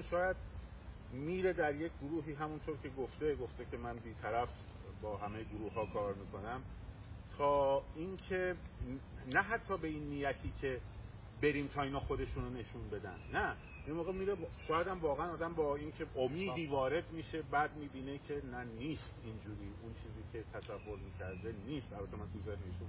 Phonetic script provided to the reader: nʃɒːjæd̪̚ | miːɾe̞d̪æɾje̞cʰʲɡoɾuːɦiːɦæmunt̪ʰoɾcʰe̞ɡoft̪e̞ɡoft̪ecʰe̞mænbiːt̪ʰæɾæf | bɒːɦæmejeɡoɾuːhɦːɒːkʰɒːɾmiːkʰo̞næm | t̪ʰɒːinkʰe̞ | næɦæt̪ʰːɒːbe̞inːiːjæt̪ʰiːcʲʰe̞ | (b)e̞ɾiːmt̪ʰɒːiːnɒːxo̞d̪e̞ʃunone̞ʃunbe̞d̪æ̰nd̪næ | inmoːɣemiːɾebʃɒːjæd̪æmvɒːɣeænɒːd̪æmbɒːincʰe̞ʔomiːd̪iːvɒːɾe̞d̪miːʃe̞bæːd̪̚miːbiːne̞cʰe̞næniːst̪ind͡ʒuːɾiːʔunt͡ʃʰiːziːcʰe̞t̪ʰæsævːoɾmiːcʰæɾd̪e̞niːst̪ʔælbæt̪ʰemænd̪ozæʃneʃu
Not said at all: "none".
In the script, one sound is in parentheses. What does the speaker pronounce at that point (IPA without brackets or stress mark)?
b